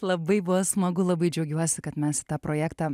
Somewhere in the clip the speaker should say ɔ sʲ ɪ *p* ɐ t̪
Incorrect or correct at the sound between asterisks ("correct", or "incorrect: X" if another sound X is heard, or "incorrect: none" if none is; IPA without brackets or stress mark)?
incorrect: k